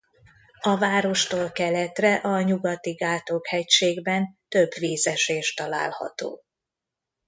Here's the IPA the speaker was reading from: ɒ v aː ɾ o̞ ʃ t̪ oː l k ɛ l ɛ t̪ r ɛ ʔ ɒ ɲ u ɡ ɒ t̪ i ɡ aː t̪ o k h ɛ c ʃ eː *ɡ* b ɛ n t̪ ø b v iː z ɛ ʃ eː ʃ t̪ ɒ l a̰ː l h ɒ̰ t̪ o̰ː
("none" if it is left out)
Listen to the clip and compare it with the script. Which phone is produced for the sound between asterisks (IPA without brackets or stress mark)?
ɡ